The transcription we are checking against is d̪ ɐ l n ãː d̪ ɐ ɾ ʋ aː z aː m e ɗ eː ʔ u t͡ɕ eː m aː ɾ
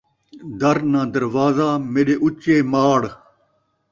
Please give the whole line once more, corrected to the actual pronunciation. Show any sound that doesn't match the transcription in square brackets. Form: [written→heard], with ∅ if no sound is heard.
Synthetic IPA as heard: d̪ ɐ [l→ɾ] n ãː d̪ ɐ ɾ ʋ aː z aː m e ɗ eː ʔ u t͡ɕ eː m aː [ɾ→ɽ]